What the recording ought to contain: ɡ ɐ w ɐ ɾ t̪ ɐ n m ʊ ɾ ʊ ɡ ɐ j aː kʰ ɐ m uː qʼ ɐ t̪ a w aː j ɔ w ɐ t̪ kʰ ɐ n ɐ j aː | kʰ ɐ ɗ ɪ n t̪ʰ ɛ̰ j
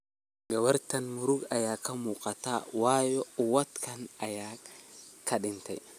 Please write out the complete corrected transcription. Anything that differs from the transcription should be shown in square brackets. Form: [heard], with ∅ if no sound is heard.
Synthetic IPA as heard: ɡ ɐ w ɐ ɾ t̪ ɐ n m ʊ ɾ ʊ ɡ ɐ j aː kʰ ɐ m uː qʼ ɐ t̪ a w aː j ɔ w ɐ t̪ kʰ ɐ n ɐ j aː | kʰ ɐ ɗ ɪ n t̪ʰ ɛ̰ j